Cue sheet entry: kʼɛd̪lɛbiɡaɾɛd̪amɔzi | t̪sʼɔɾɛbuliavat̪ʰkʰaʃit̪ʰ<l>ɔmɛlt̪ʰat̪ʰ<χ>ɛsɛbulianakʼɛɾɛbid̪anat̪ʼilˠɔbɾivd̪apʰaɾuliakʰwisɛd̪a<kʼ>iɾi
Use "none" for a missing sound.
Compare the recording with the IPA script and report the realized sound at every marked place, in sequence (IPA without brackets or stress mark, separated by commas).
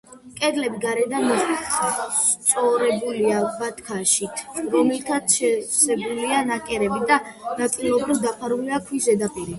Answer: ɾ, ʃ, pʼ